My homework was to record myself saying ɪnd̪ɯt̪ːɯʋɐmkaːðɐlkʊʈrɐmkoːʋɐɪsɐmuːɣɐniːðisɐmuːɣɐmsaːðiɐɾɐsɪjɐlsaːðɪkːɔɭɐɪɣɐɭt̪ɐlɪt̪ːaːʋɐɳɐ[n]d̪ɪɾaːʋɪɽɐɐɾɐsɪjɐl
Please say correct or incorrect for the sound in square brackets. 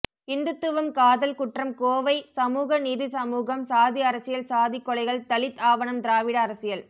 incorrect: m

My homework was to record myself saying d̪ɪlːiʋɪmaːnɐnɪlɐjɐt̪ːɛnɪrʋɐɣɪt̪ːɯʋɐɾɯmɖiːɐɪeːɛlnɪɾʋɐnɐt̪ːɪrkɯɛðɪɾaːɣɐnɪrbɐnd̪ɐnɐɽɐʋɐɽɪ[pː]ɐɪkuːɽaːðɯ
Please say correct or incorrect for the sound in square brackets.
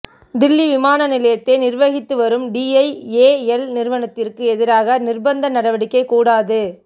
incorrect: kː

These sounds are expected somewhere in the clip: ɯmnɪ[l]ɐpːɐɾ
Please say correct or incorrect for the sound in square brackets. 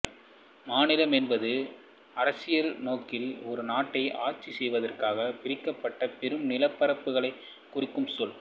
correct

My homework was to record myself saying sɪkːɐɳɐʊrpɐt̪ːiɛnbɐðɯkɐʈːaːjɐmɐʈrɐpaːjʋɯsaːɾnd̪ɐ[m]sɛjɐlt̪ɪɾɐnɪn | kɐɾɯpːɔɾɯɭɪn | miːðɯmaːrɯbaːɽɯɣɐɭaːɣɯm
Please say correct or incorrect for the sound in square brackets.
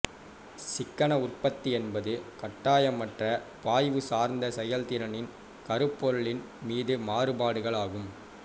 incorrect: none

